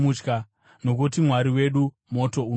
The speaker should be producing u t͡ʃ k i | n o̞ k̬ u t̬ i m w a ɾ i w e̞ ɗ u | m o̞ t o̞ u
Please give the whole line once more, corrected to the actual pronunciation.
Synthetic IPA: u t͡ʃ k a | n o̞ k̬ u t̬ i m w a ɾ i w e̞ ɗ u | m o̞ t o̞ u